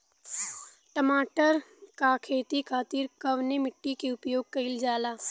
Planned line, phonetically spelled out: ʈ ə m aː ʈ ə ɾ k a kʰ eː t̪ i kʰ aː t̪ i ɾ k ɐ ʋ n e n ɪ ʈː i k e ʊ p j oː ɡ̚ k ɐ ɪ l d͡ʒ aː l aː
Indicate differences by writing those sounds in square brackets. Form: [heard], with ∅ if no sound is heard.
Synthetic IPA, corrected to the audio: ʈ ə m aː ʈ ə ɾ k a kʰ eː t̪ i kʰ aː t̪ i ɾ k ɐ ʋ n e [m] ɪ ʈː i k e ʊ p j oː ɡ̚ k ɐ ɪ l d͡ʒ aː l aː